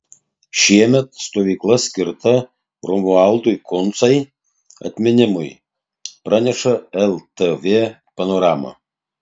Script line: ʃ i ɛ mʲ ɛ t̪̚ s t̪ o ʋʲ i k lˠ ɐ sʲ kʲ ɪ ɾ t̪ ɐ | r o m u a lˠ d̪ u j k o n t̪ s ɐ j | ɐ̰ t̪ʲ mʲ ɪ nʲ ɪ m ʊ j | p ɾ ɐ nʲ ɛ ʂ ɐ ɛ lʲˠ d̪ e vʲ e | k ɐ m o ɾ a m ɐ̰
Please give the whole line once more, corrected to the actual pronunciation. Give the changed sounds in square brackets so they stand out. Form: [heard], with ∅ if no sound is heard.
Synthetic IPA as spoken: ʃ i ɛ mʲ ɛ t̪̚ s t̪ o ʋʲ i k lˠ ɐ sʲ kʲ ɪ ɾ t̪ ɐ | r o m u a lˠ d̪ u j k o n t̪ s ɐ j | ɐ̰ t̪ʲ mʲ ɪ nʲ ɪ m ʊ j | p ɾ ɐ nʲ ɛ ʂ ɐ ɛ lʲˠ [t̪] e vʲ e | [p] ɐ [n] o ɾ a m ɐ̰